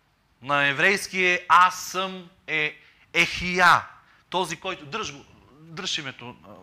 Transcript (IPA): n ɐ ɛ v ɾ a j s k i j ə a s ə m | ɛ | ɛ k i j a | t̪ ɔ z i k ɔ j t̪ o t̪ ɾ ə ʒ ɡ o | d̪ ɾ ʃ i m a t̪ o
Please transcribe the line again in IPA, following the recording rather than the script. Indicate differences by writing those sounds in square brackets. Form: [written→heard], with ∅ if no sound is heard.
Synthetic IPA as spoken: n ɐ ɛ v ɾ [a→ɛ] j s k i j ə a s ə m | ɛ | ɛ [k→x] i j a | t̪ ɔ z i k ɔ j t̪ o [t̪→d̪] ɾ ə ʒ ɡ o | d̪ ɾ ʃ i m [a→ɛ] t̪ o